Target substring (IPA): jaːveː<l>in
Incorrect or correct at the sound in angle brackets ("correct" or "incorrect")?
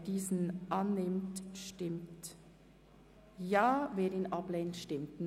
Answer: incorrect